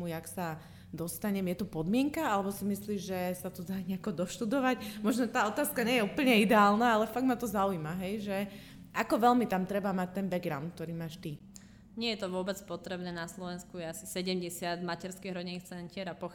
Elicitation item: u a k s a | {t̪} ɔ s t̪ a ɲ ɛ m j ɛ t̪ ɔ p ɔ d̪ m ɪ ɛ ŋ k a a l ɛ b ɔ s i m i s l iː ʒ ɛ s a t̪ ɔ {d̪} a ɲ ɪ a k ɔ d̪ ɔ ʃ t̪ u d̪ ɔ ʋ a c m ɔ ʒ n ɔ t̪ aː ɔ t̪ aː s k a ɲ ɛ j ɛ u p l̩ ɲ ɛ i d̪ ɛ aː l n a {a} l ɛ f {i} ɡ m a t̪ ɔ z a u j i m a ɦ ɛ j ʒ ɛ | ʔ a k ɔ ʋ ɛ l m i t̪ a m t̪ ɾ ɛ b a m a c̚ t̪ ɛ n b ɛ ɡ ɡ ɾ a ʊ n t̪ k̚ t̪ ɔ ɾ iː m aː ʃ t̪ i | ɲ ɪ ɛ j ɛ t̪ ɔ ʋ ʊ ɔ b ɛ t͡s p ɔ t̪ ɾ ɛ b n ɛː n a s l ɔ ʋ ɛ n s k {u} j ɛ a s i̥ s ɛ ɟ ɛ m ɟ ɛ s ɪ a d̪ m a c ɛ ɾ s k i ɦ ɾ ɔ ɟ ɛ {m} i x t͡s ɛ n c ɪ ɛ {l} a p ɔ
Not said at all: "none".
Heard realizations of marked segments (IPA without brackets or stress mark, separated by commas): d̪, d̪, a, a, u, n, ɾ